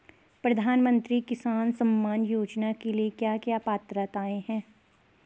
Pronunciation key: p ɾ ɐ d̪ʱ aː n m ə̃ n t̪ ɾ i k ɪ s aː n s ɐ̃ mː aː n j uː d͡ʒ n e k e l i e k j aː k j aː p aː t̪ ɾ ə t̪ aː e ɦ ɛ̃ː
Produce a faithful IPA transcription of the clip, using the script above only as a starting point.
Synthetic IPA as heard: p ɾ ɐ d̪ʱ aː n m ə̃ n t̪ ɾ i k ɪ s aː n s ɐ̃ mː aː n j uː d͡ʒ n a k e l i e k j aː k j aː p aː t̪ ɾ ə t̪ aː e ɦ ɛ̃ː